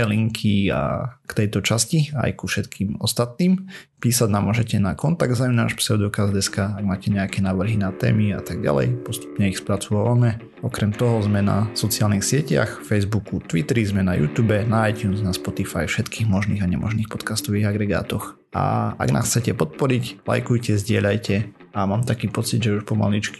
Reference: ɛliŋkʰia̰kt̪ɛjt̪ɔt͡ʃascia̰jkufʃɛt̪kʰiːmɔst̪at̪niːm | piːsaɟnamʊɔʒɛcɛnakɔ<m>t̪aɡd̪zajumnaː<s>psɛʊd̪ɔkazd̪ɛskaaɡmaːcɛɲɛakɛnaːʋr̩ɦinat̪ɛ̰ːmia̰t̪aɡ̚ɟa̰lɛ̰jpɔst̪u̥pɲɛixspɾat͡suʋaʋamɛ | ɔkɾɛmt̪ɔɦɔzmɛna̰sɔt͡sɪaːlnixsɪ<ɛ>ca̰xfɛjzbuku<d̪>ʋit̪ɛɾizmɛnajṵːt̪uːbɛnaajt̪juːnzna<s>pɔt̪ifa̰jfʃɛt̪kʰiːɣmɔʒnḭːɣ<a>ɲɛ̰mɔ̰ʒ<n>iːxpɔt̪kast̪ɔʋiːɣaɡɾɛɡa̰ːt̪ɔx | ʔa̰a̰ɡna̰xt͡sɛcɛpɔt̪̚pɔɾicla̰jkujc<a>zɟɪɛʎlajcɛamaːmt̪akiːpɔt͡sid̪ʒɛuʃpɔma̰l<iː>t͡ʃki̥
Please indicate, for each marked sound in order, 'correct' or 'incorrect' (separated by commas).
incorrect, incorrect, correct, incorrect, correct, correct, correct, incorrect, incorrect